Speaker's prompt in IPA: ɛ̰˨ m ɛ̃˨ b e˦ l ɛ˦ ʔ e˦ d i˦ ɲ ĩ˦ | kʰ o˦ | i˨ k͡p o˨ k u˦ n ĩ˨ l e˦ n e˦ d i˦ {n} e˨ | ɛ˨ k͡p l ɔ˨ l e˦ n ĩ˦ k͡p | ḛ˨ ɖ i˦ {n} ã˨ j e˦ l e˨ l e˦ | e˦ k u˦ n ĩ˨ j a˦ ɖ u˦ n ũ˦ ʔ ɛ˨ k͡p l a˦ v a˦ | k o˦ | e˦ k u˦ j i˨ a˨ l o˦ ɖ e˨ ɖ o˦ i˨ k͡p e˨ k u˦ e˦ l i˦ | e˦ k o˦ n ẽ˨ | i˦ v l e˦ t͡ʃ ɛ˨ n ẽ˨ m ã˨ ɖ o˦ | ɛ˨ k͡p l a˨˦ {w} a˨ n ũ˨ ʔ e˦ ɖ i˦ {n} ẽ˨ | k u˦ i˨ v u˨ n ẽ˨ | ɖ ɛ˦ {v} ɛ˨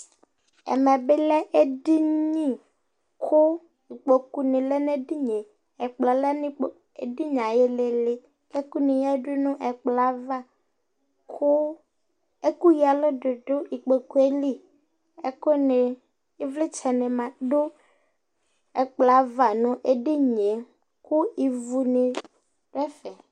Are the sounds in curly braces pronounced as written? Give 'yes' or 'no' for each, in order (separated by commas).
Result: no, no, no, no, no